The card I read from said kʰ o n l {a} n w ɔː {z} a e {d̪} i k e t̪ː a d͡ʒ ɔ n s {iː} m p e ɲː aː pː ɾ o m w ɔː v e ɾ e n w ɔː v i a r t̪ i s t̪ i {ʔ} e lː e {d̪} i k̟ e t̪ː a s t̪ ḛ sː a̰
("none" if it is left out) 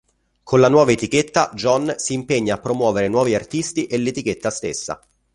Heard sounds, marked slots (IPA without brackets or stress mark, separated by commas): a, v, t̪, iː, ʔ, t̪